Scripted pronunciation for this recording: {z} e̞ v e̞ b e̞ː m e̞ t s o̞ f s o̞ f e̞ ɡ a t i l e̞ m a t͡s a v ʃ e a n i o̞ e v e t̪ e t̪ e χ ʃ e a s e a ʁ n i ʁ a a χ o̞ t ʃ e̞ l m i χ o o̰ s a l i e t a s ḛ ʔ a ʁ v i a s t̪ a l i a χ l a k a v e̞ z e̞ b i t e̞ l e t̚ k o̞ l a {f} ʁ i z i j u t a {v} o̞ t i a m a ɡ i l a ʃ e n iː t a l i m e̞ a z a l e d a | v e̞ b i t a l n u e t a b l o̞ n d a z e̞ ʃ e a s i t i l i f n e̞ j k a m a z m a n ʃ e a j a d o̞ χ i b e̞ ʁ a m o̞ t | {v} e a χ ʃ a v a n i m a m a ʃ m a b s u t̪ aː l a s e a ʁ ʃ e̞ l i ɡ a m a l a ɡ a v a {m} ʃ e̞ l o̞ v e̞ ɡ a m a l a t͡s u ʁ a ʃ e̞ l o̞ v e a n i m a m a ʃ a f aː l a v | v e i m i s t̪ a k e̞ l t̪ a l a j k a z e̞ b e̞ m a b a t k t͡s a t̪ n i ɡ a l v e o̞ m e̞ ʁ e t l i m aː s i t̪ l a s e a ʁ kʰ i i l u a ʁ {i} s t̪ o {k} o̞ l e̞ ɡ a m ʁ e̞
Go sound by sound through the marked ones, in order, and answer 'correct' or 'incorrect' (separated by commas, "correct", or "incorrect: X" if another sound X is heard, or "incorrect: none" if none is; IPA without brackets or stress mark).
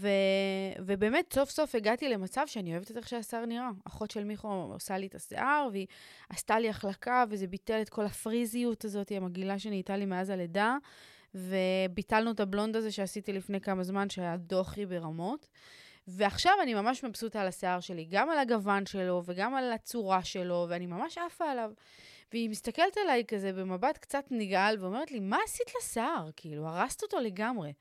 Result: incorrect: v, correct, incorrect: z, correct, incorrect: n, incorrect: a, incorrect: t